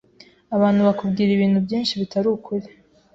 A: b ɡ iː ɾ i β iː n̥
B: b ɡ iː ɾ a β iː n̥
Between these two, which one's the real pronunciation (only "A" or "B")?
A